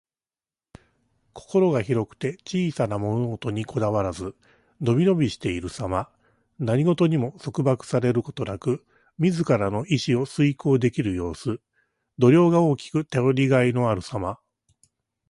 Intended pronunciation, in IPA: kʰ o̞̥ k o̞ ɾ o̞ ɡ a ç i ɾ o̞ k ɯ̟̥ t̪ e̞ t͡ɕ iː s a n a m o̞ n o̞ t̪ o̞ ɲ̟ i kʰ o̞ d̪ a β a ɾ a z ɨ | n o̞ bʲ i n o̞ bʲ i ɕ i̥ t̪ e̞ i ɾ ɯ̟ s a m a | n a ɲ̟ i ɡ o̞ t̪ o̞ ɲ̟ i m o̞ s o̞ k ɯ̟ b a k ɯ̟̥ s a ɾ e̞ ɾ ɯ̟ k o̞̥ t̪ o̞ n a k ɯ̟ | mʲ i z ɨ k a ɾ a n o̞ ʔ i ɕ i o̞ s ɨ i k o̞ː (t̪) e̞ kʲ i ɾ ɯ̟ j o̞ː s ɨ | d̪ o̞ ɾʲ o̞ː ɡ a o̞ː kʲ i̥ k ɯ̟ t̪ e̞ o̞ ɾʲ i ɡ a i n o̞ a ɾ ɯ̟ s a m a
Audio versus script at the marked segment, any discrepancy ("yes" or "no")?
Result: yes